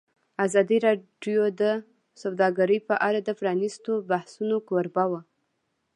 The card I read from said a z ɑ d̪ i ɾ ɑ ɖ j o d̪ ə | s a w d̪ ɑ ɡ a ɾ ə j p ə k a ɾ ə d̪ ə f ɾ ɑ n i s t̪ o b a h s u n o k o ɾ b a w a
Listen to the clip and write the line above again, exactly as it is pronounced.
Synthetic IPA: a z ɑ d̪ i ɾ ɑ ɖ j o d̪ ə | s a w d̪ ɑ ɡ a ɾ ə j p ə ʔ a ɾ a d̪ ə f ɾ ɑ n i s t̪ o b a h s u n o k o ɾ b a w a